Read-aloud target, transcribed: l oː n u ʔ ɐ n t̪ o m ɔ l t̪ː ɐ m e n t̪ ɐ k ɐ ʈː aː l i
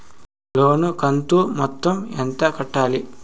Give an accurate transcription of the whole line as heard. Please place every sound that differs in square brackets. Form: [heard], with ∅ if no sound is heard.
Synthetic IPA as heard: l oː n u [k] ɐ n t̪ [u] m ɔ [∅] t̪ː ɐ m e n t̪ ɐ k ɐ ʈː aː l i

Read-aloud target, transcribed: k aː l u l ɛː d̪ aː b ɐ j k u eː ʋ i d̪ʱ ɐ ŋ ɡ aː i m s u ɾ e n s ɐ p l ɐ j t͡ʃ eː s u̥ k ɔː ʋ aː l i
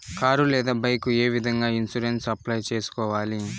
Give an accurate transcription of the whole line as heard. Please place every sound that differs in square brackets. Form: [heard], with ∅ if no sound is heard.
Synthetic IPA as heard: k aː [ɾ] u l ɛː d̪ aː b ɐ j k u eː ʋ i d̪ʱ ɐ ŋ ɡ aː i [n] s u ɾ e n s ɐ p l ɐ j t͡ʃ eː s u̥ k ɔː ʋ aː l i

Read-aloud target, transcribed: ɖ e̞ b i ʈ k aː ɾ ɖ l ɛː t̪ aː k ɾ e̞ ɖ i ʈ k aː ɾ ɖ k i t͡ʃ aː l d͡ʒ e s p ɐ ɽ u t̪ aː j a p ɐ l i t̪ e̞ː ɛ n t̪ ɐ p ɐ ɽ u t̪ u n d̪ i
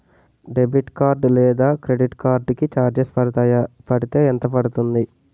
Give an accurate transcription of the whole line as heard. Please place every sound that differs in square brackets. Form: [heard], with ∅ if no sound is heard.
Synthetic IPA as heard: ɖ e̞ b i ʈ k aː ɾ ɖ l ɛː [d̪] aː k ɾ e̞ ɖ i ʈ k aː ɾ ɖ k i t͡ʃ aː [ɾ] d͡ʒ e s p ɐ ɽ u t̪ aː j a p ɐ [ɽ] i t̪ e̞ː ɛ n t̪ ɐ p ɐ ɽ u t̪ u n d̪ i

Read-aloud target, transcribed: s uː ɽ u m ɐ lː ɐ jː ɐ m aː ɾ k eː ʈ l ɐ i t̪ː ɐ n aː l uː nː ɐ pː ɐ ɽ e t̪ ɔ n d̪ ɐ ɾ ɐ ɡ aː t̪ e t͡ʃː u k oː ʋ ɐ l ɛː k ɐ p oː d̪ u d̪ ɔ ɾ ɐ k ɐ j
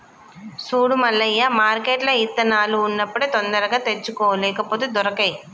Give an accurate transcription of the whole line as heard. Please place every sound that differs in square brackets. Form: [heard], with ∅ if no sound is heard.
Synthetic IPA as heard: s uː ɽ u m ɐ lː ɐ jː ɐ m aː ɾ k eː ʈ l ɐ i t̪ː ɐ n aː l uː nː ɐ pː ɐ ɽ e t̪ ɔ n d̪ ɐ ɾ ɐ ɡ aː t̪ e t͡ʃː u k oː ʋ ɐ l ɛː k ɐ p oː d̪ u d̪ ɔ ɾ ɐ k ɐ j

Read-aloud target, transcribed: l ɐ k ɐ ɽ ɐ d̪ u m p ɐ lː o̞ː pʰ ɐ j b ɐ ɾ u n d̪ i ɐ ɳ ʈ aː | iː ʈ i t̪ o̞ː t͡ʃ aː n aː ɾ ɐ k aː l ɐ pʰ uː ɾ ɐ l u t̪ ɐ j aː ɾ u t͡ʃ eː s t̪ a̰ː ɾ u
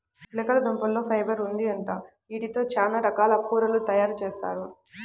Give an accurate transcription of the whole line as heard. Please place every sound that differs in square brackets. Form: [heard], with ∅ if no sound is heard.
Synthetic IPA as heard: l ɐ k ɐ [l] ɐ d̪ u m p ɐ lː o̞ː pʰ ɐ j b ɐ ɾ u n d̪ i ɐ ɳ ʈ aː | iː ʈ i t̪ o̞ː t͡ʃ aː n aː ɾ ɐ k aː l ɐ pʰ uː ɾ ɐ l u t̪ ɐ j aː ɾ u t͡ʃ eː s t̪ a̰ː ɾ u

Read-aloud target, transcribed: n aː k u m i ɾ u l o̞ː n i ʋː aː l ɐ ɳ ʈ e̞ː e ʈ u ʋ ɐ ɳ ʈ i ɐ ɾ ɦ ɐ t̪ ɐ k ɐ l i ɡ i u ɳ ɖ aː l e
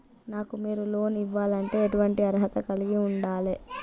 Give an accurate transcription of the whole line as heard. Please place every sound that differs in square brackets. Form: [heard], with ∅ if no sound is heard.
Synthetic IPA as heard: n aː k u m [iː] ɾ u l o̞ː n i ʋː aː l ɐ ɳ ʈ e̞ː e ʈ u ʋ ɐ ɳ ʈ i ɐ ɾ ɦ ɐ t̪ ɐ k ɐ l i ɡ i u ɳ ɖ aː l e

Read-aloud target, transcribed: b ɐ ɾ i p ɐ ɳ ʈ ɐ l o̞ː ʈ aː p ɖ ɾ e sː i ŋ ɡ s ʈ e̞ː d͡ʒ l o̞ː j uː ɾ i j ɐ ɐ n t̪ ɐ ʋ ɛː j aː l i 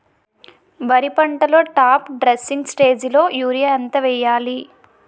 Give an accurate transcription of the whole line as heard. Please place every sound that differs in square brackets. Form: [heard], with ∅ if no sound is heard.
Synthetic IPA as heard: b ɐ ɾ i p ɐ ɳ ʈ ɐ l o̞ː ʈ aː p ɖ ɾ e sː i ŋ ɡ s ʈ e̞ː d͡ʒ l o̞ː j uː ɾ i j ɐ ɐ n t̪ ɐ ʋ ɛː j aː l i

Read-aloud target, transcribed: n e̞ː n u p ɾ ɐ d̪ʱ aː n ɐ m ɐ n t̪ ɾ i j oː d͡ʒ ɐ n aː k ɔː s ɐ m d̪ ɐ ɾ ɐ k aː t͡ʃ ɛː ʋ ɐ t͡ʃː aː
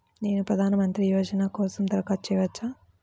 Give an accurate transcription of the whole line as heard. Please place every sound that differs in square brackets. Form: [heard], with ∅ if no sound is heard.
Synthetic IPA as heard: n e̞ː n u p ɾ ɐ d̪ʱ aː n ɐ m ɐ n t̪ ɾ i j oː d͡ʒ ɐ n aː k ɔː s ɐ m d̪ ɐ ɾ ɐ k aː t͡ʃ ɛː ʋ ɐ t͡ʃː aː

